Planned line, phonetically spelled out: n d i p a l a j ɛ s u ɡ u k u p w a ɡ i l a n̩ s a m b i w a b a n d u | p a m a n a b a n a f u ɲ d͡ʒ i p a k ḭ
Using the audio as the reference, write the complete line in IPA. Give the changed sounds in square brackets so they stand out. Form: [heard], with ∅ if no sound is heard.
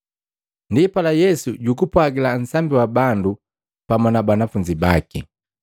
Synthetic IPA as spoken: n d i p a l a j ɛ s u [ɟ] u k u p w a ɡ i l a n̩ s a m b i w a b a n d u | p a m a n a b a n a f u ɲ d͡ʒ i [b] a k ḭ